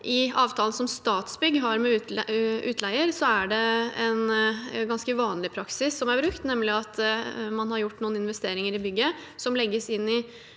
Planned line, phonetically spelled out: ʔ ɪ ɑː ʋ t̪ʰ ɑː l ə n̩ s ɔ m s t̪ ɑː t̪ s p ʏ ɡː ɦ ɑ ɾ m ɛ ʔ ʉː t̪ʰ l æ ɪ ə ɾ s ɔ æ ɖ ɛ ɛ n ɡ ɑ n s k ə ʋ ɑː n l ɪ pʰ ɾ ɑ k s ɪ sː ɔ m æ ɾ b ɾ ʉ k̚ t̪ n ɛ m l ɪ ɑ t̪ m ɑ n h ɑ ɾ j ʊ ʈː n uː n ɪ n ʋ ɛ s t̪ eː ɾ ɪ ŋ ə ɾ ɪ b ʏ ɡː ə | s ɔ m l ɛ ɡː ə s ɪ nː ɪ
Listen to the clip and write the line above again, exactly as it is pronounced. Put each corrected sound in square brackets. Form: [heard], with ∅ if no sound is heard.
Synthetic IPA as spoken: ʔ ɪ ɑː ʋ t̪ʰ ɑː l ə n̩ s ɔ m s t̪ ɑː t̪ s [b] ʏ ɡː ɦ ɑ ɾ m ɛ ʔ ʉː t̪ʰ l æ ɪ ə ɾ s ɔ æ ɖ ɛ ɛ n ɡ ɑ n s k ə ʋ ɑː n l ɪ pʰ ɾ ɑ k s ɪ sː ɔ m æ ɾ b ɾ ʉ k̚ t̪ n ɛ m l ɪ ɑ t̪ m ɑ n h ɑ ɾ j ʊ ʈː n uː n ɪ n ʋ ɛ s t̪ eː ɾ ɪ ŋ ə ɾ ɪ b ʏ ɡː ə | s ɔ m l ɛ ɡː ə s ɪ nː ɪ

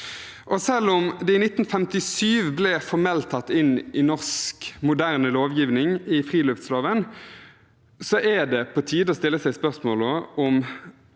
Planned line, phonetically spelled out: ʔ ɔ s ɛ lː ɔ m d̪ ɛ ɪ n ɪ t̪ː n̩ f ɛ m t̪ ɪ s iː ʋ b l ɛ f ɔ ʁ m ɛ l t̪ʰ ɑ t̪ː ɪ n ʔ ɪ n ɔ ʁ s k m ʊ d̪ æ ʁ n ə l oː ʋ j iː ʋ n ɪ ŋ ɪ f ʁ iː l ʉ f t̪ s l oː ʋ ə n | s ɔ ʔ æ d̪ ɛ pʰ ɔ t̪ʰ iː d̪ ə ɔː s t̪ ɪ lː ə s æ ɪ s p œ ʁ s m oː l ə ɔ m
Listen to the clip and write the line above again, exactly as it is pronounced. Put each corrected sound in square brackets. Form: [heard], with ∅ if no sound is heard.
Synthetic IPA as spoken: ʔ ɔ s ɛ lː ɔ m d̪ ɛ ɪ n ɪ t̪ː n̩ f ɛ m t̪ ɪ s [yː] ʋ b l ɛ f ɔ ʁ m ɛ l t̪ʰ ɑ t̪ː ɪ n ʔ ɪ n ɔ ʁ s k m ʊ d̪ æ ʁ n ə l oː ʋ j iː ʋ n ɪ ŋ ɪ f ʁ iː l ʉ f t̪ s l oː ʋ ə n | s ɔ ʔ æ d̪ ɛ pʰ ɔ t̪ʰ iː d̪ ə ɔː s t̪ ɪ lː ə s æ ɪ s p œ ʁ s m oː l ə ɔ m

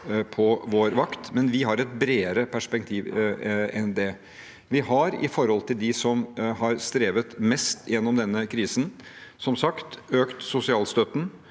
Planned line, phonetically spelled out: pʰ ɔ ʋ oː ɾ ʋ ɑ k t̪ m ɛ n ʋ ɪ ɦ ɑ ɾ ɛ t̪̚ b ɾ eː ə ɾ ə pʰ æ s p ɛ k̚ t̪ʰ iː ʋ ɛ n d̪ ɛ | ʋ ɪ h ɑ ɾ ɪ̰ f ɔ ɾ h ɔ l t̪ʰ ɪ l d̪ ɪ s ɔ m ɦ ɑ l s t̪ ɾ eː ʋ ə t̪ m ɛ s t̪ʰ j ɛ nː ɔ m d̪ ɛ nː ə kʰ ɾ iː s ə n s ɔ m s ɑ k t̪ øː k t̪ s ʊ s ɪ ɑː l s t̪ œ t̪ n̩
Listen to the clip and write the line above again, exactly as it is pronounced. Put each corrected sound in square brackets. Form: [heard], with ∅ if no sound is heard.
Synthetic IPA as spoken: pʰ ɔ ʋ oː ɾ ʋ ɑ k t̪ m ɛ n ʋ ɪ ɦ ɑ ɾ ɛ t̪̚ b ɾ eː ə ɾ ə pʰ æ [ʂ] p ɛ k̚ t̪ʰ iː ʋ ɛ n d̪ ɛ | ʋ ɪ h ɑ ɾ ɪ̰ f ɔ ɾ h ɔ l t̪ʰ ɪ l d̪ ɪ s ɔ m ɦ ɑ [ɾ] s t̪ ɾ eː ʋ ə t̪ m ɛ s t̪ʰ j ɛ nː ɔ m d̪ ɛ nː ə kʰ ɾ iː s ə n s ɔ m s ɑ k t̪ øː k t̪ s ʊ s ɪ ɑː l s t̪ œ t̪ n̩

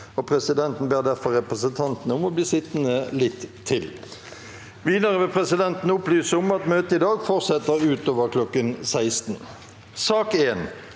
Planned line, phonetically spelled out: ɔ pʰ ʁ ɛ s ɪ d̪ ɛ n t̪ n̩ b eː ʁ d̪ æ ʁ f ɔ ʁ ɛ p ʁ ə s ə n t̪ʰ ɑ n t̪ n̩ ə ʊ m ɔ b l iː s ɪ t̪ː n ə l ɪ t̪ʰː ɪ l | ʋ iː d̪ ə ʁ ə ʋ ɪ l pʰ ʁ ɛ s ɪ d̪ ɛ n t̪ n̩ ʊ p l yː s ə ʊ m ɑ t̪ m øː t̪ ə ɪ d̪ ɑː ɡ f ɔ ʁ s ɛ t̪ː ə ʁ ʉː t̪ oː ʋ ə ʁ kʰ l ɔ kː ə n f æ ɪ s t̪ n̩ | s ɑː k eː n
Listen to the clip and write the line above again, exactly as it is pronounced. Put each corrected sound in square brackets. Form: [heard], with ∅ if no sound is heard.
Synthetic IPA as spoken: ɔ pʰ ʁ ɛ s ɪ d̪ ɛ n t̪ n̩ b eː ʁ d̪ æ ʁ f ɔ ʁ ɛ p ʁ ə s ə n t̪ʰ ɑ n t̪ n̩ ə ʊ m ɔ b l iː s ɪ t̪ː n ə l ɪ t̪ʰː ɪ l | ʋ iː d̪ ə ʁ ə ʋ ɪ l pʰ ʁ ɛ s ɪ d̪ ɛ n t̪ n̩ ʊ p l yː s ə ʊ m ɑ t̪ m øː t̪ ə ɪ d̪ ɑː ɡ f ɔ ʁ s ɛ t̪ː ə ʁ ʉː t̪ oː ʋ ə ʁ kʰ l ɔ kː ə n [s] æ ɪ s t̪ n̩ | s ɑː k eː n

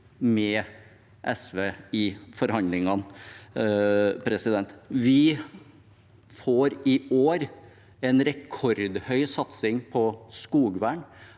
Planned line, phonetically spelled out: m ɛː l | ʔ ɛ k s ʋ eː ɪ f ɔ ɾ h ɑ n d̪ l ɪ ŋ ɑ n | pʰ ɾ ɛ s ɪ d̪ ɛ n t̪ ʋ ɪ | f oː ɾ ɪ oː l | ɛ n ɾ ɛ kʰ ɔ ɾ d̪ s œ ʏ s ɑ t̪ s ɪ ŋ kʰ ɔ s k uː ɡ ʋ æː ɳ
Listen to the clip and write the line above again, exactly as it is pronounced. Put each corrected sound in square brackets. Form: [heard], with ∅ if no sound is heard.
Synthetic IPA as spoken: m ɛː [∅] | ʔ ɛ [∅] s ʋ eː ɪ f ɔ ɾ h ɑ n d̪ l ɪ ŋ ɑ n | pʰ ɾ ɛ s ɪ d̪ ɛ n t̪ ʋ ɪ | f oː ɾ ɪ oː [ɾ] | ɛ n ɾ ɛ kʰ ɔ ɾ d̪ [h] œ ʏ s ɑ t̪ s ɪ ŋ [pʰ] ɔ s k uː ɡ ʋ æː ɳ

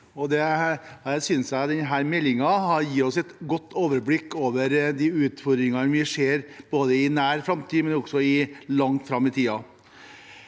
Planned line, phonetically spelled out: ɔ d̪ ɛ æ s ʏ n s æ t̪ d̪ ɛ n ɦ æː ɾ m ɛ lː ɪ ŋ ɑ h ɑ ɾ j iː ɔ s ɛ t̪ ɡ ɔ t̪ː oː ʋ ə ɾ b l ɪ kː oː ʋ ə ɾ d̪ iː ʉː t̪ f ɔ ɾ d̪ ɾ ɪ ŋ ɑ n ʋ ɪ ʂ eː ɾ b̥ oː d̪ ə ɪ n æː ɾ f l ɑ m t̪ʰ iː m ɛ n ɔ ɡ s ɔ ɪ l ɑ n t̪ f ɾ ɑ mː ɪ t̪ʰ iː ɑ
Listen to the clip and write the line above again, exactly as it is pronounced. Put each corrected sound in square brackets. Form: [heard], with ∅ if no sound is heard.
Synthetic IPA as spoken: ɔ d̪ ɛ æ s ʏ n s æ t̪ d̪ ɛ n ɦ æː ɾ m ɛ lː ɪ ŋ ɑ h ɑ ɾ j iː ɔ s ɛ t̪ ɡ ɔ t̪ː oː ʋ ə ɾ b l ɪ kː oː ʋ ə ɾ d̪ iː ʉː t̪ f ɔ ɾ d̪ ɾ ɪ ŋ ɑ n ʋ ɪ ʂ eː ɾ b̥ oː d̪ ə ɪ n æː ɾ f [ɾ] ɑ m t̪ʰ iː m ɛ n ɔ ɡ s ɔ ɪ l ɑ [ŋ] t̪ f ɾ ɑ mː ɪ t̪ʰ iː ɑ

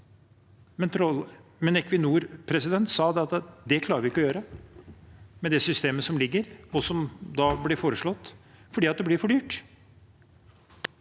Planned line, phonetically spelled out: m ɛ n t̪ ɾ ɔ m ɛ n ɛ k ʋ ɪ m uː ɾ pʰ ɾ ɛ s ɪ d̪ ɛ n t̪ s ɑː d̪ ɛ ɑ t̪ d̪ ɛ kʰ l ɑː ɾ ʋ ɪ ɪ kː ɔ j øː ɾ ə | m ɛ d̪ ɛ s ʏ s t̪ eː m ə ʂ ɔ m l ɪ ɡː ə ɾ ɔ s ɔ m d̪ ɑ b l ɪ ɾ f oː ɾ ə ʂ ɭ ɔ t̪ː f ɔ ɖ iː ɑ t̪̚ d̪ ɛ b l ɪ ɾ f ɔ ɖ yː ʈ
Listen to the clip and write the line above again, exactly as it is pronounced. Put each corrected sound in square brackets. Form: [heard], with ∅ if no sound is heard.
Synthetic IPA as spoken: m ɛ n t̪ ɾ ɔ m ɛ n ɛ k ʋ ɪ [n] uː ɾ pʰ ɾ ɛ s ɪ d̪ ɛ n t̪ s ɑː d̪ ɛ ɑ t̪ d̪ ɛ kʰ l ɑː ɾ ʋ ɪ ɪ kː ɔ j øː ɾ ə | m ɛ d̪ ɛ s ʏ s t̪ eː m ə [s] ɔ m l ɪ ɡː ə ɾ ɔ s ɔ m d̪ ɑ b l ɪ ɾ f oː ɾ ə ʂ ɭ ɔ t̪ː f ɔ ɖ iː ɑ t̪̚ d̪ ɛ b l ɪ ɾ f ɔ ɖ yː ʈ

